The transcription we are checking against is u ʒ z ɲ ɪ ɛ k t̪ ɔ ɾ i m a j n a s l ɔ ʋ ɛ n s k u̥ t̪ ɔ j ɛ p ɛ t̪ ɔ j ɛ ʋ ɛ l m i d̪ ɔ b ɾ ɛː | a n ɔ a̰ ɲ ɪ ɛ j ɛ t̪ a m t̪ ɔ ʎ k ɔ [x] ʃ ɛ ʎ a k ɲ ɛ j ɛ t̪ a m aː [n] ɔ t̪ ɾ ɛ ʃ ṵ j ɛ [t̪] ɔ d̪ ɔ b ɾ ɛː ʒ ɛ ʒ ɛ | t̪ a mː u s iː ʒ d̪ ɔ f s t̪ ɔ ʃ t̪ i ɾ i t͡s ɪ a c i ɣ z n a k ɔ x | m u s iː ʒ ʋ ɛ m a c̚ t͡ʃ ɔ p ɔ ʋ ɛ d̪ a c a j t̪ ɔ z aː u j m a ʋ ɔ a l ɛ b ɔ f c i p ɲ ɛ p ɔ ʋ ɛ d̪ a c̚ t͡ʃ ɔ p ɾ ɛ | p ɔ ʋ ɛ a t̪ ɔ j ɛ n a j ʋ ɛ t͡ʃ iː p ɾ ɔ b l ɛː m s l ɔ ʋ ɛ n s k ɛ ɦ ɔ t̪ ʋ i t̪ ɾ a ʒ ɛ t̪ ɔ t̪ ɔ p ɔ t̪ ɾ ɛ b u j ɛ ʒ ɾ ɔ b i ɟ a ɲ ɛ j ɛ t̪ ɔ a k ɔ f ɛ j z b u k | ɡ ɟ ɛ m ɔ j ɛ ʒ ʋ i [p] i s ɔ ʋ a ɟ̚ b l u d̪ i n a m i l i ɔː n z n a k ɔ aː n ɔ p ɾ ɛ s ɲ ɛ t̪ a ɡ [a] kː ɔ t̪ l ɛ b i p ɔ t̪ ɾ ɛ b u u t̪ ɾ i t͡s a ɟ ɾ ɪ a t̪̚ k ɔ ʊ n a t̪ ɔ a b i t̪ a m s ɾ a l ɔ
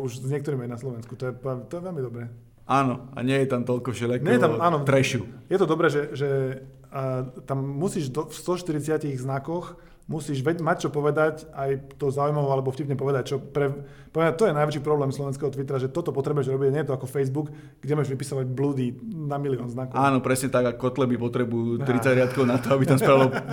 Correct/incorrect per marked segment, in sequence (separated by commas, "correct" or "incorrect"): incorrect, correct, correct, correct, correct